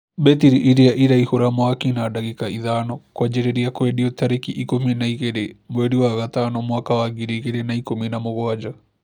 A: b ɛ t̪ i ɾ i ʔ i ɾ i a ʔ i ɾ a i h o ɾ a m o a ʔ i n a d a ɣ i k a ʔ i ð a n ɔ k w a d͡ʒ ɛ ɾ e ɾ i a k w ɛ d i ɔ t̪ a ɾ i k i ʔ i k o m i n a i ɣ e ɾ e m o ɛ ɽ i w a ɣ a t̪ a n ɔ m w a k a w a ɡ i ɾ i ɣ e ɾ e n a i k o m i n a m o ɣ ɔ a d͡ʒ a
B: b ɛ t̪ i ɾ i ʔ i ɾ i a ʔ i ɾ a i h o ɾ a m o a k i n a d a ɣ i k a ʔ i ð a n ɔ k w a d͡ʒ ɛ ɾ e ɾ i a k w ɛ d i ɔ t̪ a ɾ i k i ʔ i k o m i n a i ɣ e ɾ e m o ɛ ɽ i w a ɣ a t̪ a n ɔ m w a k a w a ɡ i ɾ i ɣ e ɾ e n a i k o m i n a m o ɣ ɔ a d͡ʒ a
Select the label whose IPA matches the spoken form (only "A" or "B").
B